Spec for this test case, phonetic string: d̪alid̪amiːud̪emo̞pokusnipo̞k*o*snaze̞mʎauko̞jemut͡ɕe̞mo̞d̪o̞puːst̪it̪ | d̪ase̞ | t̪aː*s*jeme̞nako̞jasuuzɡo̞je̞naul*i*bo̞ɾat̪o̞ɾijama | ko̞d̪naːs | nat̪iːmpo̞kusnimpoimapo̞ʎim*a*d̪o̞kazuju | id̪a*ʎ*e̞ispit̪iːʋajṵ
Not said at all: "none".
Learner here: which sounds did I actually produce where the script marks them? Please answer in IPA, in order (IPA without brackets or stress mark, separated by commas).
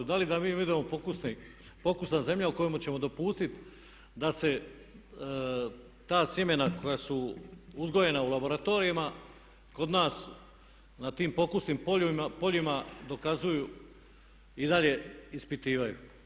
u, s, a, a, ʎ